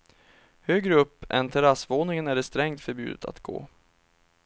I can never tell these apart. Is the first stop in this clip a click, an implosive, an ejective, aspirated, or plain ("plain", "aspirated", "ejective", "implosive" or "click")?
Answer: plain